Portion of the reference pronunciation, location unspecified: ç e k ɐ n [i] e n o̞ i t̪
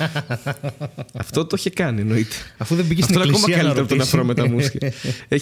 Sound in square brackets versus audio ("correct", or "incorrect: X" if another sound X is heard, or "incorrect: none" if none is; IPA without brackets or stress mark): correct